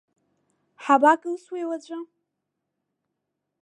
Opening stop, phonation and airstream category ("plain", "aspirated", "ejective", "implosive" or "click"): plain